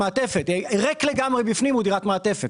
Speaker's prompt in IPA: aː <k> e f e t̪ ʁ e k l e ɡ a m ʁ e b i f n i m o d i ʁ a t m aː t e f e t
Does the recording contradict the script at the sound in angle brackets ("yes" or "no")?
yes